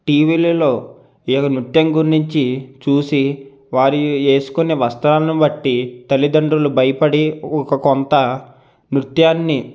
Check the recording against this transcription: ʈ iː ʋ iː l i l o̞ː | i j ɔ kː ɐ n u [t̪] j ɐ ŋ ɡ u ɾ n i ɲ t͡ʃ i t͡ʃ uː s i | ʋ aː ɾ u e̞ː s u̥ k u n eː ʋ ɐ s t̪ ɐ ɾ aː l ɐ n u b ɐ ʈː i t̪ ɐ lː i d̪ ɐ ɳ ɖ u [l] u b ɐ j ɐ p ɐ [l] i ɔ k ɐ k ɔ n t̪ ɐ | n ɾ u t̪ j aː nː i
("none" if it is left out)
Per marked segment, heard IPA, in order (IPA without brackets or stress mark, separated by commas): t̪, l, ɽ